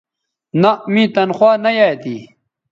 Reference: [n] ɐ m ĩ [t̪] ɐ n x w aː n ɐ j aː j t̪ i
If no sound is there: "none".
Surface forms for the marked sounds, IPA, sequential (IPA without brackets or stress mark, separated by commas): n, t̪